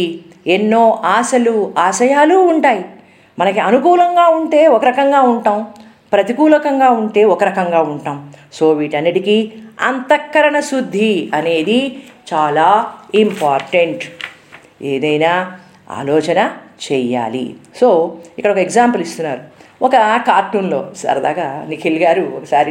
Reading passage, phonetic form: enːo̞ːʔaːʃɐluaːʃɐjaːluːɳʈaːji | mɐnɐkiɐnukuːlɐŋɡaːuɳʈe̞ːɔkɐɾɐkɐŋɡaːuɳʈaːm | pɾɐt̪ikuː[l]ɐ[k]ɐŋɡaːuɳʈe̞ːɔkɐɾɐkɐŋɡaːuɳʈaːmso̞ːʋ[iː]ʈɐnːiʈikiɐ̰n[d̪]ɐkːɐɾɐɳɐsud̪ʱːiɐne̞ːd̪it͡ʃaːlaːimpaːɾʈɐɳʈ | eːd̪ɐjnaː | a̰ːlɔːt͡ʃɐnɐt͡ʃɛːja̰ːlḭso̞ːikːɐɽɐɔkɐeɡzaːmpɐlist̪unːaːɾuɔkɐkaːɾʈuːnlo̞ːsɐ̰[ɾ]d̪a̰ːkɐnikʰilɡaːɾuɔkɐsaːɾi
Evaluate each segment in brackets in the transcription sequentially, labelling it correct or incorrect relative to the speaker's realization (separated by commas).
correct, correct, correct, incorrect, correct